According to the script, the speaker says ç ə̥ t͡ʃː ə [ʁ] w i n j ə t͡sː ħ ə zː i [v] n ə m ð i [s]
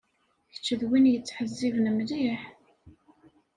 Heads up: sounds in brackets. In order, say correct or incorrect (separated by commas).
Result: incorrect, correct, incorrect